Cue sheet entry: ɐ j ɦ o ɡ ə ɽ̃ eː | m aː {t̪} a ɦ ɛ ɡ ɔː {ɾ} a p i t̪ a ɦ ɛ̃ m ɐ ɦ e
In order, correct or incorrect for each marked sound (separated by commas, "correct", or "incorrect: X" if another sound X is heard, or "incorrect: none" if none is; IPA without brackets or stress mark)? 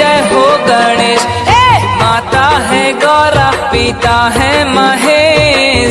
correct, correct